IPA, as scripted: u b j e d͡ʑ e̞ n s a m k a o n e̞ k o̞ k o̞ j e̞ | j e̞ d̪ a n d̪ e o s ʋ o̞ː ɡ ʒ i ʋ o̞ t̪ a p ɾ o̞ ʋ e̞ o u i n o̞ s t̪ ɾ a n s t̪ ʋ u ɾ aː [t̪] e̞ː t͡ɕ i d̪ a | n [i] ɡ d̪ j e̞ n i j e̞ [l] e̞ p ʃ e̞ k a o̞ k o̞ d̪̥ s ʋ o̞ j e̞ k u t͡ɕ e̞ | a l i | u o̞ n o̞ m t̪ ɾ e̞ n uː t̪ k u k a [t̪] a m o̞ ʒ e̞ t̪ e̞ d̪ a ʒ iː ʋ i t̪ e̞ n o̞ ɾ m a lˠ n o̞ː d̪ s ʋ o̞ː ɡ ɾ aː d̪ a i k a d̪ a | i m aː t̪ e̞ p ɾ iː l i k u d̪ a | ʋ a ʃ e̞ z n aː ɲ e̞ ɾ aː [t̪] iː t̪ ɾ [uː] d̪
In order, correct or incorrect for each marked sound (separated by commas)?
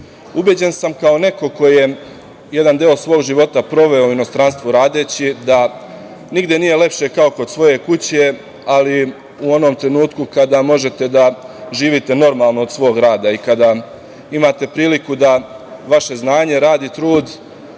incorrect, correct, correct, incorrect, incorrect, correct